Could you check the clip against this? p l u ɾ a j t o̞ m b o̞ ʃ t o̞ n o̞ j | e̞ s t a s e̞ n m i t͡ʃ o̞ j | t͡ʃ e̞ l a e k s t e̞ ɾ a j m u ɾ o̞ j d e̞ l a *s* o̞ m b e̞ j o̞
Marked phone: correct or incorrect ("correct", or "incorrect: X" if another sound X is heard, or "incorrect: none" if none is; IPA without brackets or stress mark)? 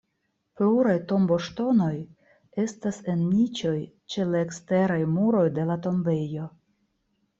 incorrect: t